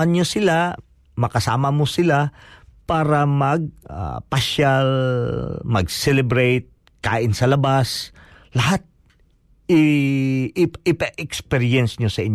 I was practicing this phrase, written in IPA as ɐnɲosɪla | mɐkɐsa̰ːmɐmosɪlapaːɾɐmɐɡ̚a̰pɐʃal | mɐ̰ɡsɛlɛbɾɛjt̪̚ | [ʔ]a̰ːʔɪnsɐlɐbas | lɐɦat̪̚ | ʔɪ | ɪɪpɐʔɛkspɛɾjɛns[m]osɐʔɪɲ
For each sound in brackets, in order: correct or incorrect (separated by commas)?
incorrect, incorrect